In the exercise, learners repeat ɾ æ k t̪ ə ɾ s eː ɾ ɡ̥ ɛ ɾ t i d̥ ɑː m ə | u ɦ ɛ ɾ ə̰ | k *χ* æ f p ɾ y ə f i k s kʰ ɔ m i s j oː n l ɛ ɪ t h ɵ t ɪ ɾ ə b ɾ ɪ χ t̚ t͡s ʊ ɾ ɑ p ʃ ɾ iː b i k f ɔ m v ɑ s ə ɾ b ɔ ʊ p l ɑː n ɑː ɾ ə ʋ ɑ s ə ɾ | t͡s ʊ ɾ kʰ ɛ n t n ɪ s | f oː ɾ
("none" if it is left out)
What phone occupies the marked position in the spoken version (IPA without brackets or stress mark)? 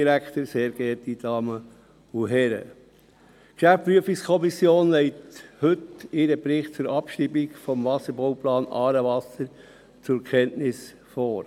ʃ